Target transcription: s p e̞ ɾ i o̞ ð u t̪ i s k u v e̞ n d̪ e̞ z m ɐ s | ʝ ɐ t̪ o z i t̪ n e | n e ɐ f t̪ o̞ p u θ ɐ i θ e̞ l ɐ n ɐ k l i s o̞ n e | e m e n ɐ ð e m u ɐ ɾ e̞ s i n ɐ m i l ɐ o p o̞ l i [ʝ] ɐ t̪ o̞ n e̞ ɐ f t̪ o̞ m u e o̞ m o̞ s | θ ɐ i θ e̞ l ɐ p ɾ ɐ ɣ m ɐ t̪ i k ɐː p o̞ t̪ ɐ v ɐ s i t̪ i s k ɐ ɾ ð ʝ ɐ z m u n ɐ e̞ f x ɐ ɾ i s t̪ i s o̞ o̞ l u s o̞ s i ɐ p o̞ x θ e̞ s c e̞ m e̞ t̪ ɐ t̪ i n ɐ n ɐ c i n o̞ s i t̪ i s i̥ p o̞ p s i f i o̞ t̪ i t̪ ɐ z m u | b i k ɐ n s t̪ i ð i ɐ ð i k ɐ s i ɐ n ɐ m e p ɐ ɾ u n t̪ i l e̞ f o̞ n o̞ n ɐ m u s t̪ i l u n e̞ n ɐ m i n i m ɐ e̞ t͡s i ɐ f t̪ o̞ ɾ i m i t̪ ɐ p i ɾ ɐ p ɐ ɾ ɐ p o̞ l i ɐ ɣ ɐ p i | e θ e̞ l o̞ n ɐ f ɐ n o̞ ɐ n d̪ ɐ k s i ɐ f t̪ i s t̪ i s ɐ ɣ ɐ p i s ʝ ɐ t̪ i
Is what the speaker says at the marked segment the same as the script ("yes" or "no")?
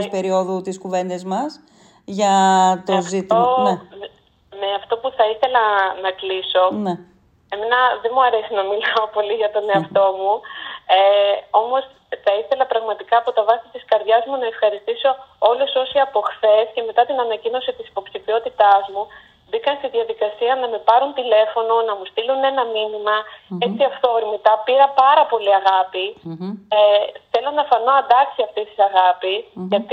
yes